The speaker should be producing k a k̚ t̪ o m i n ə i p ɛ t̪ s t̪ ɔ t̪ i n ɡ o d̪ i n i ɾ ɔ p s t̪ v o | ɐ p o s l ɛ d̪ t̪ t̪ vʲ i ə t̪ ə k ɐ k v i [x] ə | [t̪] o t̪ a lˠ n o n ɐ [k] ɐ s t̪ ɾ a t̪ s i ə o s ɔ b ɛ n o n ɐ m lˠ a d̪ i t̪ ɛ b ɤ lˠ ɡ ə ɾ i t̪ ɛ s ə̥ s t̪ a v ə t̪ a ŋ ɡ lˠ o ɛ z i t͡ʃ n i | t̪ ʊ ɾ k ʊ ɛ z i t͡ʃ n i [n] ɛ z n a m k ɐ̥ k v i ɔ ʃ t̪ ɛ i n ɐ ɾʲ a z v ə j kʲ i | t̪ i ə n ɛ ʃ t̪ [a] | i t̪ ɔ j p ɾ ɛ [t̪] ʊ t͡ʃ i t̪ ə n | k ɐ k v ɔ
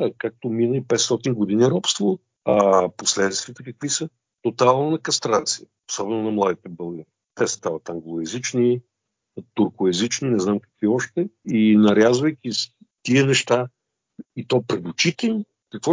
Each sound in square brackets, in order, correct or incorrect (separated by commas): incorrect, correct, correct, correct, correct, incorrect